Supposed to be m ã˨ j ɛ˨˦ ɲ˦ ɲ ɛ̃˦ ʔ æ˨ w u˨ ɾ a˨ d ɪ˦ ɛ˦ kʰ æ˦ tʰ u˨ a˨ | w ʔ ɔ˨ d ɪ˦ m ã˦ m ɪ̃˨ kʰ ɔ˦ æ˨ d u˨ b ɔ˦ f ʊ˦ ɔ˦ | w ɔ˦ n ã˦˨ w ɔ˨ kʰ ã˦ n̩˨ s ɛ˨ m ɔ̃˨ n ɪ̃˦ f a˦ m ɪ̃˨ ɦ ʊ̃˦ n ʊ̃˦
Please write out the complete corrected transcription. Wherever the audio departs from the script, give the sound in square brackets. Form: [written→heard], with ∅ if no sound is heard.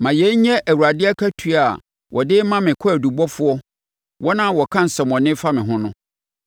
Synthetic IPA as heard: m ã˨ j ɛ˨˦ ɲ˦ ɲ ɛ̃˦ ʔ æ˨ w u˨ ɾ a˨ d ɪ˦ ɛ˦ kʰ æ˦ tʰ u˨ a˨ | w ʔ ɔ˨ d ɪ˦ m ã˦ m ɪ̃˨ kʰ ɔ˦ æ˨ d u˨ b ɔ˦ f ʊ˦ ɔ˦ | w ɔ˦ n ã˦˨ w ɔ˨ kʰ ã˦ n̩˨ s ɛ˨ m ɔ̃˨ n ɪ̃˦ f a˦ m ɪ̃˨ ɦ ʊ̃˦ n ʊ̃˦